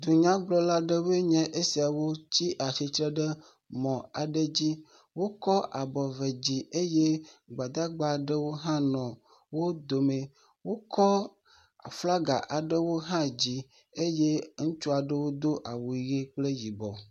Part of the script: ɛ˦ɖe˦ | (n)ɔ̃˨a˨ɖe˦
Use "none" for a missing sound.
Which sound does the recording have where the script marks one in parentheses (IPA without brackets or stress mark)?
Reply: m